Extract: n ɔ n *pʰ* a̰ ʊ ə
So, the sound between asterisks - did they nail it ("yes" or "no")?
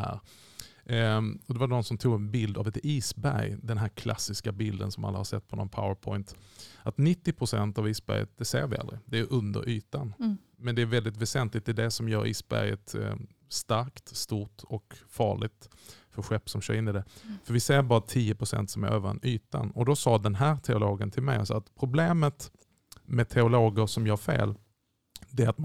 yes